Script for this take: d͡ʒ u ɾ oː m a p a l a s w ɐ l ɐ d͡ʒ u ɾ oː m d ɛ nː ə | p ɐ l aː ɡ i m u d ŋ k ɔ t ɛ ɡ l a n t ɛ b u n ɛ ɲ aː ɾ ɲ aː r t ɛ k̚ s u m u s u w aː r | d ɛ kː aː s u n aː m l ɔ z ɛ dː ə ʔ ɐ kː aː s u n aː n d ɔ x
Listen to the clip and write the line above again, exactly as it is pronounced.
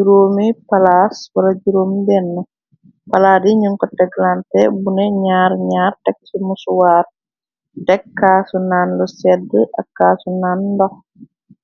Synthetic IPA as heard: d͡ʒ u ɾ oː m i p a l a s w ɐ l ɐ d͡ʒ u ɾ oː m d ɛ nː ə | p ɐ l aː d i ɲ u ŋ k ɔ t ɛ ɡ l a n t ɛ b u n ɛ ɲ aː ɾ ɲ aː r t ɛ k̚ s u m u s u w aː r | d ɛ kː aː s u n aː n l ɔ s ɛ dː ə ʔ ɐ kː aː s u n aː n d ɔ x